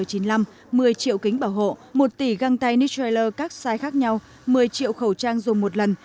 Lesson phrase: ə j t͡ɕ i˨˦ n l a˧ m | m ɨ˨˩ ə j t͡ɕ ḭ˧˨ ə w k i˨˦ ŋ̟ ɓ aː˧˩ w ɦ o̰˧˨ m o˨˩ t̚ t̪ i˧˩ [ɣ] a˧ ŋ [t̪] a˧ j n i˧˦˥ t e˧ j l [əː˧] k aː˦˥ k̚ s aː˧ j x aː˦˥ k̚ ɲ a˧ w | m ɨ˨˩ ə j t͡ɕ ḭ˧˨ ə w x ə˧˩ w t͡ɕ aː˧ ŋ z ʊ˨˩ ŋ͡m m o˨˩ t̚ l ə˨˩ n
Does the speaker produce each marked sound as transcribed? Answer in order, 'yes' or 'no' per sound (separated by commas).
yes, yes, yes